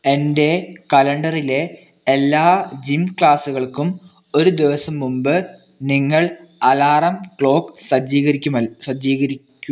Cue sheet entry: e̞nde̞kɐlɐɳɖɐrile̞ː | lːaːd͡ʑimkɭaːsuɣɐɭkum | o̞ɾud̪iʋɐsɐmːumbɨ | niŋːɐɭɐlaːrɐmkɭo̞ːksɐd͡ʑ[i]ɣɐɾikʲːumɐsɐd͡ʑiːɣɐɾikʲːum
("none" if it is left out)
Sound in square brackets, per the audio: iː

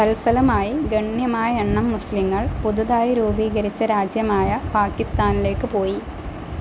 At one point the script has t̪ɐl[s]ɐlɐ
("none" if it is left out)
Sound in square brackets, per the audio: f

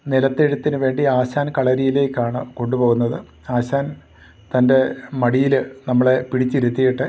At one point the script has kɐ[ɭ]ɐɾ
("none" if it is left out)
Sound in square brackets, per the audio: ɭ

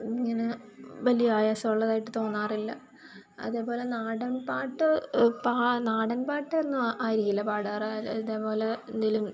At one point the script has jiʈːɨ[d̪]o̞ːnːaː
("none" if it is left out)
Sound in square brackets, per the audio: t̪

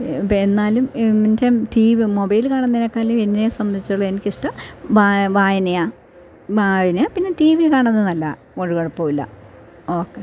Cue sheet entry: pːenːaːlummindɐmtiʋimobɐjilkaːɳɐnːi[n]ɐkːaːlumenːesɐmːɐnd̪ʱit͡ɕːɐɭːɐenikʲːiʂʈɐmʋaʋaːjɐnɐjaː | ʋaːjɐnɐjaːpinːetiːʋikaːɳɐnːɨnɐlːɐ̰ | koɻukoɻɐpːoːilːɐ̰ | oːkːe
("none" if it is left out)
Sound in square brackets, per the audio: n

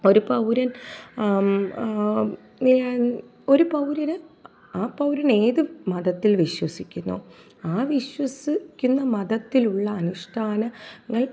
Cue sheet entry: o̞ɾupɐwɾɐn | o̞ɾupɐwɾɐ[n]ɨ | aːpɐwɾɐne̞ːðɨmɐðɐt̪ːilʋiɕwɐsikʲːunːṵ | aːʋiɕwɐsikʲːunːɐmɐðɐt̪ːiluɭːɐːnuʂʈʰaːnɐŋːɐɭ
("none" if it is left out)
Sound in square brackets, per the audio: n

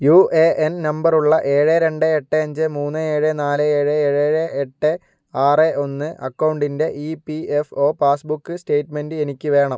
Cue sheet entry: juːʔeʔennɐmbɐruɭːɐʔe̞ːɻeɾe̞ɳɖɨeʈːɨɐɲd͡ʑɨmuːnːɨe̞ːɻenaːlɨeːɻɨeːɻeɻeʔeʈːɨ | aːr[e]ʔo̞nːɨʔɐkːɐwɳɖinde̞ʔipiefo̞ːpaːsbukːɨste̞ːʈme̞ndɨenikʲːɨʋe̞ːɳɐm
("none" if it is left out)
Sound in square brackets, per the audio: e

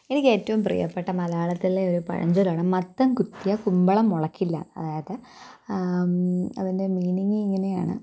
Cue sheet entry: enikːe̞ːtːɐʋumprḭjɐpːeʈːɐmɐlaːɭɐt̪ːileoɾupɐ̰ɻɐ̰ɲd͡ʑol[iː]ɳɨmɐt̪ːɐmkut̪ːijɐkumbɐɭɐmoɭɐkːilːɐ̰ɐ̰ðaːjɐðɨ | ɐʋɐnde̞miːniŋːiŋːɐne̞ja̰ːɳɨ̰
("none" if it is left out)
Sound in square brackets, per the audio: aː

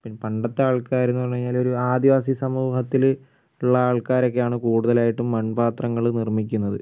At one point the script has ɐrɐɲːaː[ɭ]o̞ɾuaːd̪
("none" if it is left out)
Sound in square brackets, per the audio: l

